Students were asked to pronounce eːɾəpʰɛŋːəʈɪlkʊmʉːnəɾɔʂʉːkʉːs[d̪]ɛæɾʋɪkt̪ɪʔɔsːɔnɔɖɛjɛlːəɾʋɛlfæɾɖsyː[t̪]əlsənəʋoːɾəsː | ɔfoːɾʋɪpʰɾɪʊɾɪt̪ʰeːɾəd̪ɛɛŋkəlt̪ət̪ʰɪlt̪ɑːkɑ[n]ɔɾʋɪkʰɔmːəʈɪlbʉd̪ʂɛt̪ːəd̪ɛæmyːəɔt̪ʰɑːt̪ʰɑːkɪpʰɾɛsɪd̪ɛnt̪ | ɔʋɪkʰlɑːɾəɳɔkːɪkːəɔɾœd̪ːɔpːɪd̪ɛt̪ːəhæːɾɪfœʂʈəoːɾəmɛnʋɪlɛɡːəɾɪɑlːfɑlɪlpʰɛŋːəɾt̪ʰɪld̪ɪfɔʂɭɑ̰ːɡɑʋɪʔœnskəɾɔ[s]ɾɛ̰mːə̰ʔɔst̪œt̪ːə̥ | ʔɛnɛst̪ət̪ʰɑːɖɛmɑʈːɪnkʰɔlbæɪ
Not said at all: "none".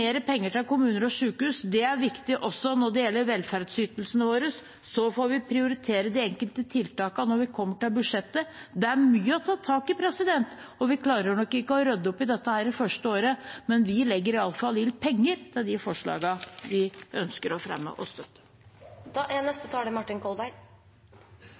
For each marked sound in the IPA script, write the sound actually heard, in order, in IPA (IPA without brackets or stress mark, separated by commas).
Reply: d̪, t̪, n, f